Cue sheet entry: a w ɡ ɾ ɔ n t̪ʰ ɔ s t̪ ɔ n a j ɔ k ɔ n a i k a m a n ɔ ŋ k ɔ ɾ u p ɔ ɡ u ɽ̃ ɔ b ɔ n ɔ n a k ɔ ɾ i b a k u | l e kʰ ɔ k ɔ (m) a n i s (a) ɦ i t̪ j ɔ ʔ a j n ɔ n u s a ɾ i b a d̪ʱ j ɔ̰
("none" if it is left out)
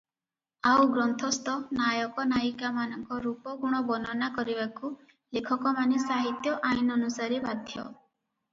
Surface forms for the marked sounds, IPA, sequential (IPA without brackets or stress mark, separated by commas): m, a